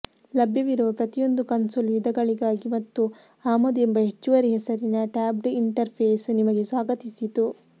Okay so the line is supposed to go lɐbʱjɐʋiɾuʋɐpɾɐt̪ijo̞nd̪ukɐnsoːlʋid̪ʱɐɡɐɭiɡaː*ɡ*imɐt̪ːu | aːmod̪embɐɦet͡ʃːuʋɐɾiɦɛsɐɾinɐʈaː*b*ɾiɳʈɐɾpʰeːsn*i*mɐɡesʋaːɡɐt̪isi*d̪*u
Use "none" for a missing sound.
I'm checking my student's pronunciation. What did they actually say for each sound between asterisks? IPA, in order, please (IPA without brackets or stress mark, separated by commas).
ɡ, b, i, t̪